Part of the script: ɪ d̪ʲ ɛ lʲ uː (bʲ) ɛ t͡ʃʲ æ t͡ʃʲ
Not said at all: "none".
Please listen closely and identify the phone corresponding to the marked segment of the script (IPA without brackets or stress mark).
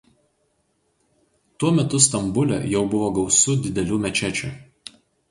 mʲ